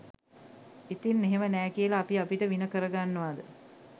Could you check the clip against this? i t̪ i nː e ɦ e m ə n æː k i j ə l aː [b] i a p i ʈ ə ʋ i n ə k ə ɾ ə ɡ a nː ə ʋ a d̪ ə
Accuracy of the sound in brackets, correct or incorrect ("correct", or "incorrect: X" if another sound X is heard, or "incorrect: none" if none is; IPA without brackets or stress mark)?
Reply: incorrect: p